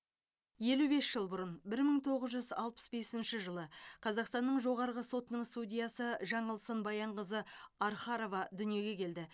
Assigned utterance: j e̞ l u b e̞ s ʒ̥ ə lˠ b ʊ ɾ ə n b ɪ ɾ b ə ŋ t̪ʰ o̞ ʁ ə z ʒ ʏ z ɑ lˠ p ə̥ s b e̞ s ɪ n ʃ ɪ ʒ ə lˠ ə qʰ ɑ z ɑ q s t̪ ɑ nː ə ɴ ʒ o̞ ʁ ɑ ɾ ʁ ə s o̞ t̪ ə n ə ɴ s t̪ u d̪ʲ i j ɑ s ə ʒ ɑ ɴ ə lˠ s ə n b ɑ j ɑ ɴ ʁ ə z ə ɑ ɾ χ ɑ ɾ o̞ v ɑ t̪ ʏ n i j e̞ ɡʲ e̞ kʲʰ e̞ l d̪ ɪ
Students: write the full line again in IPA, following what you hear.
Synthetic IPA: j e̞ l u b e̞ s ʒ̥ ə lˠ b ʊ ɾ ə n b ɪ ɾ m ə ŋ t̪ʰ o̞ ʁ ə z ʒ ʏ z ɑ lˠ p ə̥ s b e̞ s ɪ n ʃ ɪ ʒ ə lˠ ə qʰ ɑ z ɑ q s t̪ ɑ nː ə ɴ ʒ o̞ ʁ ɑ ɾ ʁ ə s o̞ t̪ ə n ə ɴ s t̪ u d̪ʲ i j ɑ s ə ʒ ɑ ɴ ə lˠ s ə n b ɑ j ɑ ɴ ʁ ə z ə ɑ ɾ χ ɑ ɾ o̞ v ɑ d̪ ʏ n i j e̞ ɡʲ e̞ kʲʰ e̞ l d̪ ɪ